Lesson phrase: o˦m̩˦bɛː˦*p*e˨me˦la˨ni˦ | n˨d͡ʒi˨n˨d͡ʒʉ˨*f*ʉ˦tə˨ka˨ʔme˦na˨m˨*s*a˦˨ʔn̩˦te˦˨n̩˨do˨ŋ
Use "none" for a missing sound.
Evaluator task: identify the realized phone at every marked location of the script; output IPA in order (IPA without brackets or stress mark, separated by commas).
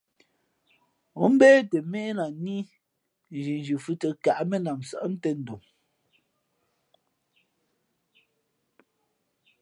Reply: t, f, s